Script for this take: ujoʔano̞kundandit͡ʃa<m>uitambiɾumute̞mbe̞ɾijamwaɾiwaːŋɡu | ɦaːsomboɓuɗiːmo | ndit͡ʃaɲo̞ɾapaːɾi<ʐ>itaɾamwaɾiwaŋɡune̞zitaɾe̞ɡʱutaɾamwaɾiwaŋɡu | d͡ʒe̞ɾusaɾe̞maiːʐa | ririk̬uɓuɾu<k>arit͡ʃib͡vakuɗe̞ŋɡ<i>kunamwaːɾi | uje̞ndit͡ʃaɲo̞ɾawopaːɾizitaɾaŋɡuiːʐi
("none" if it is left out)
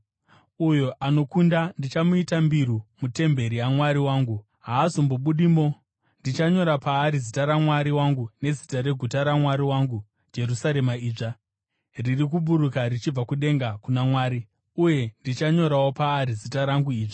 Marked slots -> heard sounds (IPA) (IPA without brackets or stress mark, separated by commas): m, z, k, a